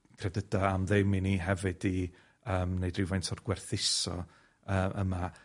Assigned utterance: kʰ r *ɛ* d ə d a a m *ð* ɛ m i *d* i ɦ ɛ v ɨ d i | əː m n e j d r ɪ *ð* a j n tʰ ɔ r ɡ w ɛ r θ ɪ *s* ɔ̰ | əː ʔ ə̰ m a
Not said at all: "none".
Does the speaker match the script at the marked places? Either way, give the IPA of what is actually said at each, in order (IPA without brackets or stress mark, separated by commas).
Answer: ɛ, ð, n, v, s